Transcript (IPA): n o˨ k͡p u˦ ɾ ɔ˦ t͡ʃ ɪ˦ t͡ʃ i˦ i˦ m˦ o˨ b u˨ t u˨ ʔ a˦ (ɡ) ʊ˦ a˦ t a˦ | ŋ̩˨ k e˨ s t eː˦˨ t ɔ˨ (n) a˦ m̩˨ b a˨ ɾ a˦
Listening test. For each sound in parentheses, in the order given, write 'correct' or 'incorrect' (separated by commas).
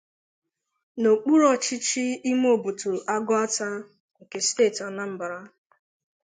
correct, correct